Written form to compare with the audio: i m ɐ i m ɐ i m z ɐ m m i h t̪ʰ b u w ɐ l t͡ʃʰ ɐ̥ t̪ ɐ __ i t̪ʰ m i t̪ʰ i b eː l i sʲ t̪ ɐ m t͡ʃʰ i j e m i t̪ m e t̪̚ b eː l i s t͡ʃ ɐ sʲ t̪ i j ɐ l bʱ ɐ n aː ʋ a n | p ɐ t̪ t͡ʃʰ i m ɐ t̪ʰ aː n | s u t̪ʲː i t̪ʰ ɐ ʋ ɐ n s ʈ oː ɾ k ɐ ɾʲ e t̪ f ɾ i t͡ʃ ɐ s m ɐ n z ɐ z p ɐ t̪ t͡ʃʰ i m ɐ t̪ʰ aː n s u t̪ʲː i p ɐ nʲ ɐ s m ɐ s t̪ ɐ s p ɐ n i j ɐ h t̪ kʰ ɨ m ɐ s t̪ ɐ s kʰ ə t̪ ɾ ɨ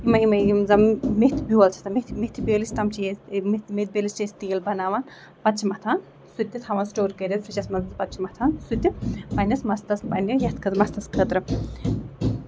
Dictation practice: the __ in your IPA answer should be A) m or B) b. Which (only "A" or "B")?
A